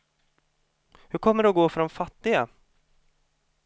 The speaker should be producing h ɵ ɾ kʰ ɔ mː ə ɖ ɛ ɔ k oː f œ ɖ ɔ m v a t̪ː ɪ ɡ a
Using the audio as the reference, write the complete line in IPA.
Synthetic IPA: h ɵ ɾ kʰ ɔ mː ə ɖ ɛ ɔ ɡ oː f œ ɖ ɔ m f a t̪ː ɪ ɡ a

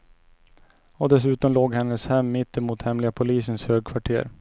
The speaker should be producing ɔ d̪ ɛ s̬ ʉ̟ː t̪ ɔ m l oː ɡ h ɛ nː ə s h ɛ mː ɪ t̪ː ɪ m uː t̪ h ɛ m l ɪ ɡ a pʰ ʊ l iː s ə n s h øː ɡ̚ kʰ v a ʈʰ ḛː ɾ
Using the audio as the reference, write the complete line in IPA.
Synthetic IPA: ɔ d̪ ɛ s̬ ʉ̟ː t̪ ɔ m l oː ɡ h ɛ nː ə s h ɛ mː ɪ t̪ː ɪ m uː t̪ h ɛ m l ɪ ɡ a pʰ ʊ l iː s ə n s h øː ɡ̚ kʰ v a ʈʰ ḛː ɾ

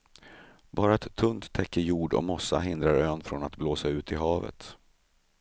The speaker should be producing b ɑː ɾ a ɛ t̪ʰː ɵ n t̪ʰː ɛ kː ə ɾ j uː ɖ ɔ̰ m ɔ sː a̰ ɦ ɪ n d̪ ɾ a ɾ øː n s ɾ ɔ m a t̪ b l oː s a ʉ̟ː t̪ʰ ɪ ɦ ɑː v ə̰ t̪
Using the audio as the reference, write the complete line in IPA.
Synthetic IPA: b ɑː ɾ a ɛ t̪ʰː ɵ n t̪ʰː ɛ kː ə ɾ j uː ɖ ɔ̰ m ɔ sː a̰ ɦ ɪ n d̪ ɾ a ɾ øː n f ɾ ɔ n a t̪ b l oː s a ʉ̟ː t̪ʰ ɪ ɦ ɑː v ə̰ t̪

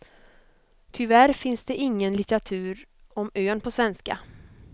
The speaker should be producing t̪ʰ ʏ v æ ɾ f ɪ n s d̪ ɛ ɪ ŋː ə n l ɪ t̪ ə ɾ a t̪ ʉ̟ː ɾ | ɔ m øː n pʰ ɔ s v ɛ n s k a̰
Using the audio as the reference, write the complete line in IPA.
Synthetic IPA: t̪ʰ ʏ v æ ɾ f ɪ n s d̪ ɛ ɪ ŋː ə n l ɪ t̪ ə ɾ a t̪ʰ ʉ̟ː ɾ | ɔ m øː n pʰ ɔ s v ɛ n s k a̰

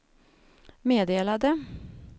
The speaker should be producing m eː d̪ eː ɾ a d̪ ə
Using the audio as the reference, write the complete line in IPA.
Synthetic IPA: m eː d̪ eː l a d̪ ə

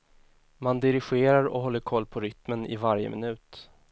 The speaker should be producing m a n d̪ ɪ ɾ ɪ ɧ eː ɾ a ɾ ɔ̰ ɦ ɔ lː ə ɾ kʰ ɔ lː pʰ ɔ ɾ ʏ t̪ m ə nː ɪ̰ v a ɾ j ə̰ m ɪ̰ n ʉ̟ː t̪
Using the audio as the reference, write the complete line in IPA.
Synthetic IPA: m a n d̪ ɪ ɾ ɪ ɧ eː ɾ a ɾ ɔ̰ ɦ ɔ lː ə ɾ kʰ ɔ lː pʰ ɔ ɾ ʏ t̪ m ə n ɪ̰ v a ɾ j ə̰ m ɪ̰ n ʉ̟ː t̪

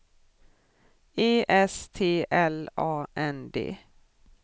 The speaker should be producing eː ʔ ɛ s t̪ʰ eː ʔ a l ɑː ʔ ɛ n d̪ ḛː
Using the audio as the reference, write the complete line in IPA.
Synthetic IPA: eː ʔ ɛ s t̪ʰ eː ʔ ɛ l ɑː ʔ ɛ n d̪ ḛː

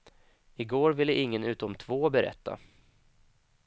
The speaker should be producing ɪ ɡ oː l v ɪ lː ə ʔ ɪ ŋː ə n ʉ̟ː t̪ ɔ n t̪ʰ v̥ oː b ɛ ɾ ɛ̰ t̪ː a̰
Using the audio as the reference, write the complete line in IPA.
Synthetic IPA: ɪ ɡ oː ɾ v ɪ lː ə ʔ ɪ ŋː ə n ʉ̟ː t̪ ɔ m t̪ʰ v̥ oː b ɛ ɾ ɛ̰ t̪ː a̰

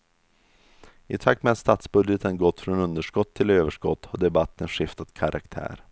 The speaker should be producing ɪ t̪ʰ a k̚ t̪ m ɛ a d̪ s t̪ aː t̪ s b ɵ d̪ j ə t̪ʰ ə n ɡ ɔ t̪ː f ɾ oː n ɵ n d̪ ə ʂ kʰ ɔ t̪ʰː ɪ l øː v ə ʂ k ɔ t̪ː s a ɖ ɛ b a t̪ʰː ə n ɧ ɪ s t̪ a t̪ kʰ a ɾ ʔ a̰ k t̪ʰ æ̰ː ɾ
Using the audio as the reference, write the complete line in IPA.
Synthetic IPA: ɪ t̪ʰ a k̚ t̪ m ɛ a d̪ s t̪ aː t̪ s b ɵ d̪ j ə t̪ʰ ə n ɡ ɔ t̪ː f ɾ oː n ɵ n d̪ ə ʂ k ɔ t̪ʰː ɪ l øː v ə ʂ k ɔ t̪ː h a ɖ ɛ b a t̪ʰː ə n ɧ ɪ f t̪ a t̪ kʰ a ɾ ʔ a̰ k t̪ʰ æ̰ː ɾ

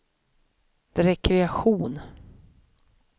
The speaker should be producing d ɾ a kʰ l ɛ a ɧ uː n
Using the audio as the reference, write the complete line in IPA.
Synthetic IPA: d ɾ ɛ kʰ ɾ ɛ a ɧ uː n

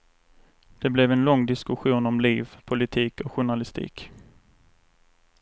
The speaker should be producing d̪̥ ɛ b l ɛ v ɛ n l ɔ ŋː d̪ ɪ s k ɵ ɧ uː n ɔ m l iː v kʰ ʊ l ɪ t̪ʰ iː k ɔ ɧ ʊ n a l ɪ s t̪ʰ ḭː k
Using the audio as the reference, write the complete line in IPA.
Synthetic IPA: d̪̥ ɛ b l ɛ v ɛ n l ɔ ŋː d̪ ɪ s k ɵ ɧ uː n ɔ m l iː v pʰ ʊ l ɪ t̪ʰ iː k ɔ ɧ ʊ ɳ a l ɪ s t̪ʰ ḭː k

